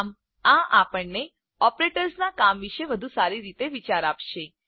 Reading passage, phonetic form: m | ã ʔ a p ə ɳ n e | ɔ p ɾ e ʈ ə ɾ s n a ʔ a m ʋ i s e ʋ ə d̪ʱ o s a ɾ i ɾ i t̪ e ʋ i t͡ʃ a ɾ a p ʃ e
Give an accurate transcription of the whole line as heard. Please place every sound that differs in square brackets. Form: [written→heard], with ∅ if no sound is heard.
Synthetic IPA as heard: m | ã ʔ a p ə ɳ n e | ɔ p ɾ e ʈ ə ɾ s n a [ʔ→k] a m ʋ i [s→ʃ] e ʋ ə d̪ʱ [o→u] s a ɾ i ɾ i t̪ e ʋ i t͡ʃ a ɾ a p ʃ e